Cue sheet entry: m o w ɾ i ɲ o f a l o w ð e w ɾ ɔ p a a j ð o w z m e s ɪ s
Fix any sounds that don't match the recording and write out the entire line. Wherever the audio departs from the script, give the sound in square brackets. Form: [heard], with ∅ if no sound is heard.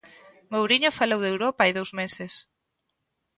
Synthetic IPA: m o w ɾ i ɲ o f a l o w ð e w ɾ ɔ p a a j ð o w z m e s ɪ s